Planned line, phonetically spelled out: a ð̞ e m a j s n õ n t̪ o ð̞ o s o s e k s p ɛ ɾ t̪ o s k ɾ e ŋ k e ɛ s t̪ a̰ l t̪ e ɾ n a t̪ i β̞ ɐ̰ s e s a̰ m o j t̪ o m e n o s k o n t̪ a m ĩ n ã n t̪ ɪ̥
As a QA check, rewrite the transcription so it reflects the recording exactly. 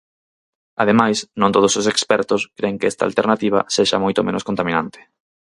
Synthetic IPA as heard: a ð̞ e m a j s n õ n t̪ o ð̞ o s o s e k s p ɛ ɾ t̪ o s k ɾ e ŋ k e ɛ s t̪ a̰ l t̪ e ɾ n a t̪ i β̞ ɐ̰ s e ʃ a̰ m o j t̪ o m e n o s k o n t̪ a m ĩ n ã n t̪ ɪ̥